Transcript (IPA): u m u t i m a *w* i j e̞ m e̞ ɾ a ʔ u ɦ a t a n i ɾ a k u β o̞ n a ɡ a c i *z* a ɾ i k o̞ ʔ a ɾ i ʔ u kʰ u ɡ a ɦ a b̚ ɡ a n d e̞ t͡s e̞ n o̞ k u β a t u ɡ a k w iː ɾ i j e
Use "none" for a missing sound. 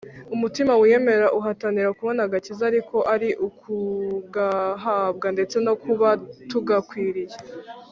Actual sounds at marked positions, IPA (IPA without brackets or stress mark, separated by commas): w, z